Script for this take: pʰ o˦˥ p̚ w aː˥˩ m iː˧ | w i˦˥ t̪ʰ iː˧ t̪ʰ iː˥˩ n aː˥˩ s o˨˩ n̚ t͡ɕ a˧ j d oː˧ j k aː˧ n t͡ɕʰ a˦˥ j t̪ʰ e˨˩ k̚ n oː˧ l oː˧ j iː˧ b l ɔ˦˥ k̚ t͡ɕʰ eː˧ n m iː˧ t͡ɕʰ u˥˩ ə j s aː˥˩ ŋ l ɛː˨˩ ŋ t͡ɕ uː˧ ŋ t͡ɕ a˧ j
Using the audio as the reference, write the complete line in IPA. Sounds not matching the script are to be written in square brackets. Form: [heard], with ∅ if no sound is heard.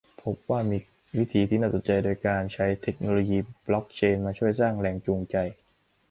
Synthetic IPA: pʰ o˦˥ p̚ w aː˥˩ m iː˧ | w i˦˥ t̪ʰ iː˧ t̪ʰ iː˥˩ n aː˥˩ s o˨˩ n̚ t͡ɕ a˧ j d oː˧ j k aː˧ n t͡ɕʰ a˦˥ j t̪ʰ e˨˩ k̚ n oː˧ l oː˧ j iː˧ b l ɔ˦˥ k̚ t͡ɕʰ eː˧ n m [aː˧] t͡ɕʰ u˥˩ ə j s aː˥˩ ŋ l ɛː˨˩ ŋ t͡ɕ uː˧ ŋ t͡ɕ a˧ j